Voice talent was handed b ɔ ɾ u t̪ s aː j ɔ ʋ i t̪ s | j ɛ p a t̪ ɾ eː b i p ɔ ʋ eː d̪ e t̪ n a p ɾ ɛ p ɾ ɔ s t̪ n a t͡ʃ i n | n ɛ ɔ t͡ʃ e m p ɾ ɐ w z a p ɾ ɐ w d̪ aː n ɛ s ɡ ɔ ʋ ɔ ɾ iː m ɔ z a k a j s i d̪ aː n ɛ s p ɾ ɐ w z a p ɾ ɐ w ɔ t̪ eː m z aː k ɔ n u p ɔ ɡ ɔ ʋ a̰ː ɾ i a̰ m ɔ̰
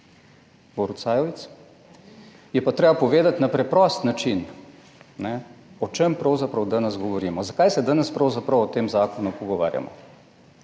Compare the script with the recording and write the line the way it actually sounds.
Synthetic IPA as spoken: b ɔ ɾ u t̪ s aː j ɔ ʋ i t̪ s | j ɛ p a t̪ ɾ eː b a p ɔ ʋ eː d̪ a t̪ n a p ɾ ɛ p ɾ ɔ s t̪ n a t͡ʃ i n | n ɛ ɔ t͡ʃ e m p ɾ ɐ w z a p ɾ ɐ w d̪ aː n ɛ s ɡ ɔ ʋ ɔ ɾ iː m ɔ z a k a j s ɛ d̪ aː n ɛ s p ɾ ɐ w z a p ɾ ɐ w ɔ t̪ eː m z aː k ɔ n u p ɔ ɡ ɔ ʋ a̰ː ɾ j a̰ m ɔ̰